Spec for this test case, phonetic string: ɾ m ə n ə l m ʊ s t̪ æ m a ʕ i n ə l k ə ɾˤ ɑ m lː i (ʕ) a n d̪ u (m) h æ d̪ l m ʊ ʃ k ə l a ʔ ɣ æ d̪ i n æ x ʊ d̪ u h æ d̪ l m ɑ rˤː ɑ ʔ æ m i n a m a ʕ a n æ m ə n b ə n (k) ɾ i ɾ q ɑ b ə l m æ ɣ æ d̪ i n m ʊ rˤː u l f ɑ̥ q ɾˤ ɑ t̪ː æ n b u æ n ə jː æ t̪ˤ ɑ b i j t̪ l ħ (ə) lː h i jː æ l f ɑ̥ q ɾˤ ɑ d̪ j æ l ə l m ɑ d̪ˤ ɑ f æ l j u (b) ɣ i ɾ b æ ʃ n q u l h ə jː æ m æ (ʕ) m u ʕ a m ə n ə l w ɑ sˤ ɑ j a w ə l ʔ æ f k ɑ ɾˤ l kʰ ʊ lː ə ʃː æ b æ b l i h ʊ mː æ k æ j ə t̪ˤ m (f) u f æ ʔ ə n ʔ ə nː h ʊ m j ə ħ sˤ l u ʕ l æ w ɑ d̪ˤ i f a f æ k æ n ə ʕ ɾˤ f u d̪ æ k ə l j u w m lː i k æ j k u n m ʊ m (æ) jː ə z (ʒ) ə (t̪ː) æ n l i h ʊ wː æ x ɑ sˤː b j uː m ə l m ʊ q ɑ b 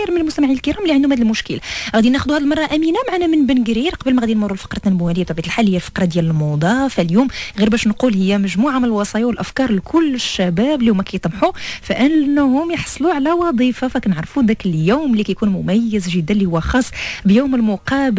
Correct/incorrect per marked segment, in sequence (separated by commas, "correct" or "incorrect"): correct, correct, incorrect, incorrect, incorrect, incorrect, incorrect, correct, correct, incorrect